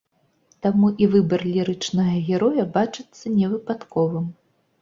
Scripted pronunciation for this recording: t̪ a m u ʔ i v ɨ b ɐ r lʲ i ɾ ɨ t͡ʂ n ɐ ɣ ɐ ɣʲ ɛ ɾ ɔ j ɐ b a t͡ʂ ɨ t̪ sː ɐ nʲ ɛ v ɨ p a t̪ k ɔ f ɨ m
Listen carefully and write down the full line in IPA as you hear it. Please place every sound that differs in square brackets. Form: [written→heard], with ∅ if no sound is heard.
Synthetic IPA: t̪ a m u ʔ i v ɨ b ɐ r lʲ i ɾ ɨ t͡ʂ n ɐ ɣ ɐ ɣʲ ɛ ɾ ɔ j ɐ b a t͡ʂ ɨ t̪ sː ɐ nʲ ɛ v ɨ p a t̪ k ɔ [f→v] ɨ m